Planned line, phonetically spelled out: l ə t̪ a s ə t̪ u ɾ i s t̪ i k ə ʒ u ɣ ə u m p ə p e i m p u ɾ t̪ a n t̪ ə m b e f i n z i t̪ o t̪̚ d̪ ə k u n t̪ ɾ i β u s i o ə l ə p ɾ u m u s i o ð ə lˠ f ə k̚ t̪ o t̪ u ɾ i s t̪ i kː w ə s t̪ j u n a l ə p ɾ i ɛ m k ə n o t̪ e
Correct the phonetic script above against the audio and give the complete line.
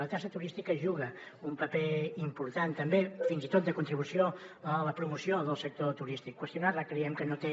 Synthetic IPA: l ə t̪ a s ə t̪ u ɾ i s t̪ i k ə ʒ u ɣ ə u m p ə p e i m p u ɾ t̪ a n t̪ ə m b e f i n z i t̪ o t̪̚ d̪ ə k u n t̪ ɾ i β u s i o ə l ə p ɾ u m u s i o ð ə lˠ s ə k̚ t̪ o t̪ u ɾ i s t̪ i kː w ə s t̪ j u n a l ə k ɾ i ɛ m k ə n o t̪ e